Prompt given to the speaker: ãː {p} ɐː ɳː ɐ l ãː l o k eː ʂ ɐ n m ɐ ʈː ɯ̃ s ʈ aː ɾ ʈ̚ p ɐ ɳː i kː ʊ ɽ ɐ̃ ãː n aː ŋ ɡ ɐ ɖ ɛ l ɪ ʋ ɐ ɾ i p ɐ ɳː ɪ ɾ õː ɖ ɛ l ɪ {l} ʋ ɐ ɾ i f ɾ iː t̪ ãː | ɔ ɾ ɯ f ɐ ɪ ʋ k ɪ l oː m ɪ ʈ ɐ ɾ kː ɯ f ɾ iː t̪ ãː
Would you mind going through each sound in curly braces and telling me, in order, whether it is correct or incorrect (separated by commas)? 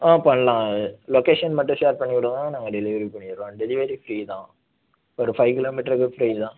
correct, incorrect